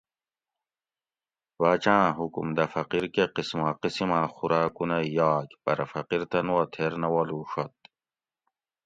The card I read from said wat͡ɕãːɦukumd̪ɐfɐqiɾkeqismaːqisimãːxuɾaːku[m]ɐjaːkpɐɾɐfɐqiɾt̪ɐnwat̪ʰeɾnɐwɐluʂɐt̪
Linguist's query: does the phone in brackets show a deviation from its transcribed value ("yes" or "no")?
yes